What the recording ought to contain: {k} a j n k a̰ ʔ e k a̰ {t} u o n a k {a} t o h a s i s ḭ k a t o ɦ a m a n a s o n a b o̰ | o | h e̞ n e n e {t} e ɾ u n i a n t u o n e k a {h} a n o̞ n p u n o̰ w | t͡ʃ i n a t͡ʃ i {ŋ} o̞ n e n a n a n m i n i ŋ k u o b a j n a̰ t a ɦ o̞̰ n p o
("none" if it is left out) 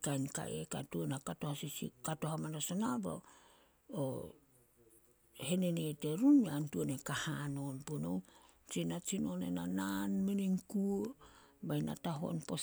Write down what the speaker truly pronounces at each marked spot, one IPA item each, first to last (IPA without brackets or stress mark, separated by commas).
k, t, a, t, h, n